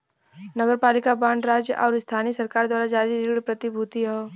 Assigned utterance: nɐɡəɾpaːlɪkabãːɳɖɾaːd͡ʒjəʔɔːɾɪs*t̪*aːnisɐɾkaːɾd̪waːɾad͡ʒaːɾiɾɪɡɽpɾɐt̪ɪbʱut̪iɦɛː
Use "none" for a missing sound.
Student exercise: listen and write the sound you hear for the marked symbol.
t̪ʰ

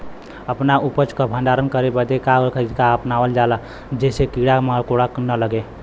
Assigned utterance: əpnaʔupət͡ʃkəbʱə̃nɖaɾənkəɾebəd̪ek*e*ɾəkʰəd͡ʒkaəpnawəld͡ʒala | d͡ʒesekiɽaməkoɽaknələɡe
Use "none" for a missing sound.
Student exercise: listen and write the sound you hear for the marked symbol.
a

